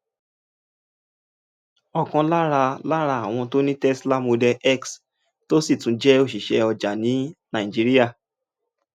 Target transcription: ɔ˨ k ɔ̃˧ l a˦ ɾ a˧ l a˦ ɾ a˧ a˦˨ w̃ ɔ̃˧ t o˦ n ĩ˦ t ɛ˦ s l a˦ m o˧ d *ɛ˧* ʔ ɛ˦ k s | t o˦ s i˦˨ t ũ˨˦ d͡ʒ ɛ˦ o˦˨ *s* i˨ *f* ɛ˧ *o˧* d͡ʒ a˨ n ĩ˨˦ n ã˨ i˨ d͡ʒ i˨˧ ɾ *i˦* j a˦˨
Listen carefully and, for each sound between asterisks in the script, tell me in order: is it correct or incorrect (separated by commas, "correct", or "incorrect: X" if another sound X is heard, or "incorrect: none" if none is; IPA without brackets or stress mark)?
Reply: correct, incorrect: ʃ, incorrect: ʃ, incorrect: ɔ˧, correct